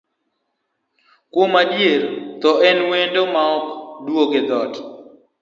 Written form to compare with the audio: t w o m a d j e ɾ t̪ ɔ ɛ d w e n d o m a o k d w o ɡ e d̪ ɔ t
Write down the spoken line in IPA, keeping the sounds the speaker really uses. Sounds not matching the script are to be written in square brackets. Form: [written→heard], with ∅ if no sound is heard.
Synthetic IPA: [t→k] w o m a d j e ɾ t̪ ɔ ɛ [d→n] w e n d o m a [o→ɔ] k d w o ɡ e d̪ ɔ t